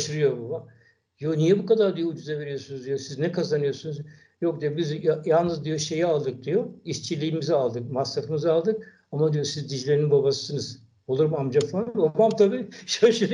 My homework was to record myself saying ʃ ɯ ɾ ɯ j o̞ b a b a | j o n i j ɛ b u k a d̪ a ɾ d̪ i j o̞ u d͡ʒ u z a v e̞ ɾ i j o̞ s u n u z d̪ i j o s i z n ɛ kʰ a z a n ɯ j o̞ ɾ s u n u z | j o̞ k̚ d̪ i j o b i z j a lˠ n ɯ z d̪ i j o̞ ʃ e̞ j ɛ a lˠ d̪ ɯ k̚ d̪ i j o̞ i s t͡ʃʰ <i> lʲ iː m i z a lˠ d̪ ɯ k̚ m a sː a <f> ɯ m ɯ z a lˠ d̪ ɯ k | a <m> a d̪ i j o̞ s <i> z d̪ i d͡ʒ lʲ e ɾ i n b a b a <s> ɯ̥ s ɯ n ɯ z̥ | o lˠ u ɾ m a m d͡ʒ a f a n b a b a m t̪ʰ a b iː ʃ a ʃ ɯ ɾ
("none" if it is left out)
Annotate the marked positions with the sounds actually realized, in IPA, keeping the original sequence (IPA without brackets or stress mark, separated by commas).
i, f, m, i, s